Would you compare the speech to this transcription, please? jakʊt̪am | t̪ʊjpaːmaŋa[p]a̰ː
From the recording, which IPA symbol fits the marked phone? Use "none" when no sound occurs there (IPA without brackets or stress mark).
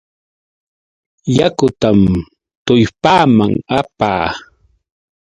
p